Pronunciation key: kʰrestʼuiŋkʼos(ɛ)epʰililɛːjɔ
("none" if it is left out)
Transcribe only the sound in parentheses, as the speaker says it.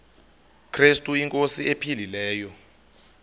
i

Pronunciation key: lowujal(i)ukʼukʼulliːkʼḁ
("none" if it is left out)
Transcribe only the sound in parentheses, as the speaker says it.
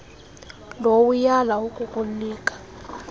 a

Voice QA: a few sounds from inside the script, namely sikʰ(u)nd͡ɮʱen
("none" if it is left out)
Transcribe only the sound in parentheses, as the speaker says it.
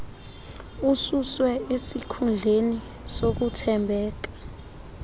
u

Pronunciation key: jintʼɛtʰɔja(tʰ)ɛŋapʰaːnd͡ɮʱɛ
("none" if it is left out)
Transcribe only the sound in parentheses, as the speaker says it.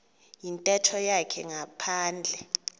kʰ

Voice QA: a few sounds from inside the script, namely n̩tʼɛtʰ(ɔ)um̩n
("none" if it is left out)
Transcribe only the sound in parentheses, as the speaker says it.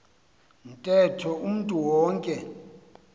ɔ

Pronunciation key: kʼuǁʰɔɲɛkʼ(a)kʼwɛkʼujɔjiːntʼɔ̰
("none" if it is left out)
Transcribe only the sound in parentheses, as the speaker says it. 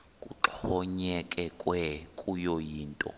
ɛ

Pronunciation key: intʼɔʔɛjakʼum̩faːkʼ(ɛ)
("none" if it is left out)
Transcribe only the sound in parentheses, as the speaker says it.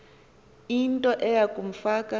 a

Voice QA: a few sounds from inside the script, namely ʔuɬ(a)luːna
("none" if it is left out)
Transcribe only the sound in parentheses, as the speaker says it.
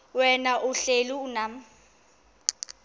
e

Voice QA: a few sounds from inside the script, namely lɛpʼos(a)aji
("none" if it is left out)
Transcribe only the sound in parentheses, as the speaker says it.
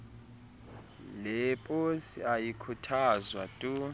i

